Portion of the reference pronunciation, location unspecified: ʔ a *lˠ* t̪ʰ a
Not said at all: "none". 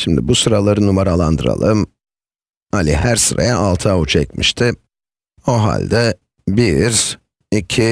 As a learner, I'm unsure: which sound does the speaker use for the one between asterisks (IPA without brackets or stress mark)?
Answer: lˠ